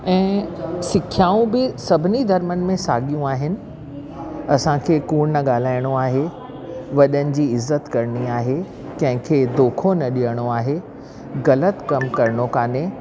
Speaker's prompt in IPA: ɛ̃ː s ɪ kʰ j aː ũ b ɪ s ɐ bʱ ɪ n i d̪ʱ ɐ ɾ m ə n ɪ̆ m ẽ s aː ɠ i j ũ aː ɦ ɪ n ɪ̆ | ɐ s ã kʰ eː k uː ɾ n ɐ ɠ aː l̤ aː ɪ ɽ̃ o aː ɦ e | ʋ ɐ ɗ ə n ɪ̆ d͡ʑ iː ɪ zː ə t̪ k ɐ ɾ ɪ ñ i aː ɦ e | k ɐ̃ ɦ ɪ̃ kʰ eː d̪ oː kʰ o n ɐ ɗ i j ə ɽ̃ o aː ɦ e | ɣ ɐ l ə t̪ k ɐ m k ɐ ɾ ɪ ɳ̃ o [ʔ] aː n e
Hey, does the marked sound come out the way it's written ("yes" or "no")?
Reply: no